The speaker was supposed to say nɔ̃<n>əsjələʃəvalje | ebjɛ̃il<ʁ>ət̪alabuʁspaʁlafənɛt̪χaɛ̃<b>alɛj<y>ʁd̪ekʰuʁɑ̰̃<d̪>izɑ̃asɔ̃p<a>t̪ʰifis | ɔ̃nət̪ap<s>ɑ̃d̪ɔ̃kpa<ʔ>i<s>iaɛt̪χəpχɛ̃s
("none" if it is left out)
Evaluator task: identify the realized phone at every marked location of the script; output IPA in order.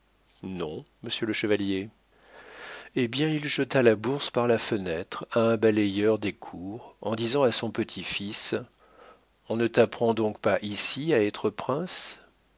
m, ʒ, b, œ, d̪, ə, χ, ʔ, s

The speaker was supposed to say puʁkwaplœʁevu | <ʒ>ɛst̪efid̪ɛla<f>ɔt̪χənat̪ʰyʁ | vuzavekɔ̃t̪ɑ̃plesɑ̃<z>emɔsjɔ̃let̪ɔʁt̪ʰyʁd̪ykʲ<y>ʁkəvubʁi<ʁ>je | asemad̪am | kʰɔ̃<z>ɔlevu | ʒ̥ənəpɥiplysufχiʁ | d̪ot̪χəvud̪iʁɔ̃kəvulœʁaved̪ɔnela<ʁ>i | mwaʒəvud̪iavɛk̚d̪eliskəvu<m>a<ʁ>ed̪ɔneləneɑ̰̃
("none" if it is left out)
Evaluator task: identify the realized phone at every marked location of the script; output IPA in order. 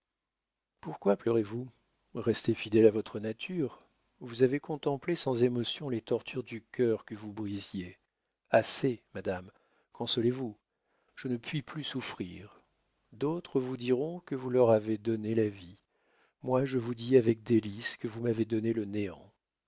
ʁ, v, z, œ, z, s, v, m, v

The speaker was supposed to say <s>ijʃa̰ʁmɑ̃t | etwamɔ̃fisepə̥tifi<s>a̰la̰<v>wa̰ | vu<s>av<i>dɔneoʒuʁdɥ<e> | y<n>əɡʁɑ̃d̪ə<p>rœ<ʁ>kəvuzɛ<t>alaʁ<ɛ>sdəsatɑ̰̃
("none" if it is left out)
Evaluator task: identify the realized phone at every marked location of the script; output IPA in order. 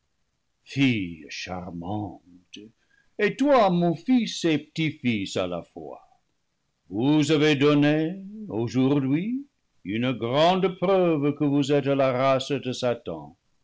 f, s, f, z, e, i, n, p, v, t, a

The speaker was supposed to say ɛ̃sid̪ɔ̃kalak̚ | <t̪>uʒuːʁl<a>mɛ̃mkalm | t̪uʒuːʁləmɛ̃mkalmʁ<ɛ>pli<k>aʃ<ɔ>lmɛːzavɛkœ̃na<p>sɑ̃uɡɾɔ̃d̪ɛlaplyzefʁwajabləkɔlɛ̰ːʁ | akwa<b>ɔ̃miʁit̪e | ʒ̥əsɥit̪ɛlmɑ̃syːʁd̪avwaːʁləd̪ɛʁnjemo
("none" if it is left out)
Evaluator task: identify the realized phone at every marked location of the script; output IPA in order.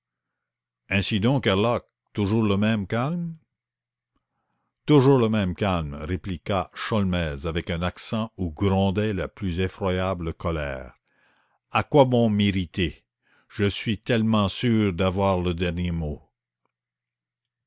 t̪, ə, e, k, ɔ, k, b

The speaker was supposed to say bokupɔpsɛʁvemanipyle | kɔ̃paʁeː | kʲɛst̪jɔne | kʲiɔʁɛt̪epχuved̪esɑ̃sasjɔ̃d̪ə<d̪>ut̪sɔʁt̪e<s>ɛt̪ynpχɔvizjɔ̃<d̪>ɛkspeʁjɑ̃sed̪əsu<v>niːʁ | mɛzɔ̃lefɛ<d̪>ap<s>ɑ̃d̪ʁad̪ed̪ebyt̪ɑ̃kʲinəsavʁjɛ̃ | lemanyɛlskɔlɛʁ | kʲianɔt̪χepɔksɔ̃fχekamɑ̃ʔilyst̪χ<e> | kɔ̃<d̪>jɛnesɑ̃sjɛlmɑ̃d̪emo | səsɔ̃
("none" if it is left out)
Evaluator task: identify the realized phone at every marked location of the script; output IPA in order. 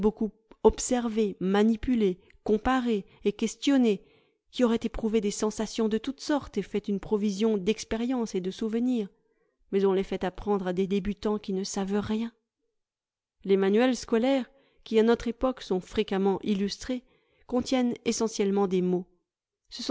t̪, f, d̪, v, t̪, χ, e, t̪

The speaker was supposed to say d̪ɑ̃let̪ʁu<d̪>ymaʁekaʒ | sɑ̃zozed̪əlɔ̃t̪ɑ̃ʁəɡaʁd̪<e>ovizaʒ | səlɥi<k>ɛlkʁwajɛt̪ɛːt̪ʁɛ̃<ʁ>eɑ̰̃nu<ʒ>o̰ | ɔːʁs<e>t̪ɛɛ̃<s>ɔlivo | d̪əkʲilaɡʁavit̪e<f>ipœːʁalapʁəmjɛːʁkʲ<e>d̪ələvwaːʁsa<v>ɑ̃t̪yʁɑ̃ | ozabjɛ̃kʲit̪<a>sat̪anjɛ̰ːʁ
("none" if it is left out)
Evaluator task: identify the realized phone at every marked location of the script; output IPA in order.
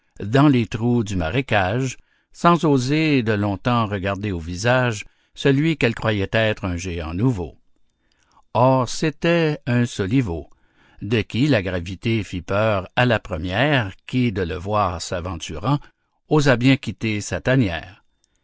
d̪, e, k, ʒ, v, e, s, f, i, v, e

